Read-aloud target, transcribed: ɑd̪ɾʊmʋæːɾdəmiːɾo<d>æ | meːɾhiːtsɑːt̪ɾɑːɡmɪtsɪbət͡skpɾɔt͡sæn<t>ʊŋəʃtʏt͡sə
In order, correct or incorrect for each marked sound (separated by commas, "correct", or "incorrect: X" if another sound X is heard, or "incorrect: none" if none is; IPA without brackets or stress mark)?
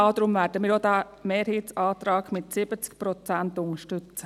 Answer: correct, correct